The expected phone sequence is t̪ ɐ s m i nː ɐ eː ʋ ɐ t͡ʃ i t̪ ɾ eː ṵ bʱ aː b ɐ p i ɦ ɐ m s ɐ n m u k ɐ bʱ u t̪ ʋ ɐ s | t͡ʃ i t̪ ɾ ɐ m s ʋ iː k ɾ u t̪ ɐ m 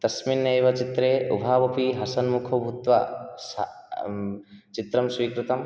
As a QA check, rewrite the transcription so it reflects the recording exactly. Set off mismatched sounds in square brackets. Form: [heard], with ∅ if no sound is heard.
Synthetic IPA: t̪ ɐ s m i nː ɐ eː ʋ ɐ t͡ʃ i t̪ ɾ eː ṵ bʱ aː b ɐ p i ɦ ɐ [∅] s ɐ n m u [kʰ] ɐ bʱ u t̪ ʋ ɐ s | t͡ʃ i t̪ ɾ ɐ m s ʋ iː k ɾ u t̪ ɐ m